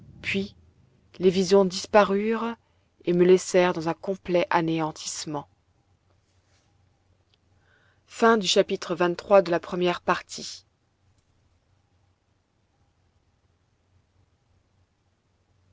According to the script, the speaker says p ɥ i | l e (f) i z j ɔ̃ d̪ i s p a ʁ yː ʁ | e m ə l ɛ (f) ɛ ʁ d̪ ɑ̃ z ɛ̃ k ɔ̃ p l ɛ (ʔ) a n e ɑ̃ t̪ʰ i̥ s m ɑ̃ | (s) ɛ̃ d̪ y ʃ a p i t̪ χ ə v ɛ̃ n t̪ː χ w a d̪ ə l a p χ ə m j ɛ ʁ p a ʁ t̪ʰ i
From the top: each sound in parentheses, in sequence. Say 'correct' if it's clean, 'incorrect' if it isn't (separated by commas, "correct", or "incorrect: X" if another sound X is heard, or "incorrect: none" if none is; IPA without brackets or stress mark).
incorrect: v, incorrect: s, correct, incorrect: f